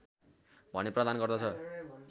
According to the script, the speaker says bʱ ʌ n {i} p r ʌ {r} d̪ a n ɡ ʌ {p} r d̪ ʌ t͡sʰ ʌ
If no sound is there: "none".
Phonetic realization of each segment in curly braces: e, none, none

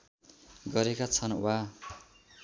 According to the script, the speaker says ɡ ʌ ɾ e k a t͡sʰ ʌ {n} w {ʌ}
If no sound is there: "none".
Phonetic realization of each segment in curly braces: n, a

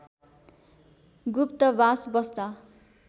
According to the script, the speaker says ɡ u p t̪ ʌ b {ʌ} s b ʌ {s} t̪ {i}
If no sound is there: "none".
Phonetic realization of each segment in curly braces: a, s, a

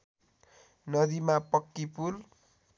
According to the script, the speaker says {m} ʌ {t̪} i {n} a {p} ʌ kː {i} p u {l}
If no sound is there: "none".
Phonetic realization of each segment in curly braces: n, d̪, m, p, i, l

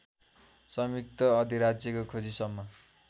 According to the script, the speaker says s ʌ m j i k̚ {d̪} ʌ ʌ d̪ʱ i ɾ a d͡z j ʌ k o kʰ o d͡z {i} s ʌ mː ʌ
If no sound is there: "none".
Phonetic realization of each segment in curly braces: t̪, i

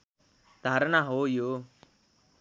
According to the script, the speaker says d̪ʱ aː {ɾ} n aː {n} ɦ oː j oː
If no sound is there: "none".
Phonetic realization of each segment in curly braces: ɾ, none

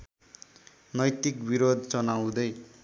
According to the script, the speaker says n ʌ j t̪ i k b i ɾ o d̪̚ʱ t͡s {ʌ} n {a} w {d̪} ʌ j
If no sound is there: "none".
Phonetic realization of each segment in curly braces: ʌ, a, d̪

